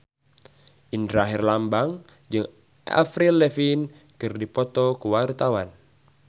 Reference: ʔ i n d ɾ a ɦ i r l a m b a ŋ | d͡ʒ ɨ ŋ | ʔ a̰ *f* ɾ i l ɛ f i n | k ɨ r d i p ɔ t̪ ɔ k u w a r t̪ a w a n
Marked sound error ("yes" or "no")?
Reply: no